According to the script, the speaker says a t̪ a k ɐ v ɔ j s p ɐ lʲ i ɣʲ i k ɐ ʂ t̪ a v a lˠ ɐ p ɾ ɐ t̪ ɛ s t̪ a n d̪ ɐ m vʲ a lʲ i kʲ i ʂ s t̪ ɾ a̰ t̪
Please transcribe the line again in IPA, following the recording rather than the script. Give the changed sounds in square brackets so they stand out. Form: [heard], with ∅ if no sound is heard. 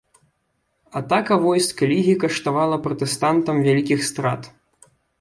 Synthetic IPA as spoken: a t̪ a k ɐ v ɔ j s [k] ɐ lʲ i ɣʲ i k ɐ ʂ t̪ a v a lˠ ɐ p ɾ ɐ t̪ ɛ s t̪ a n [t̪] ɐ m vʲ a lʲ i kʲ i [x] s t̪ ɾ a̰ t̪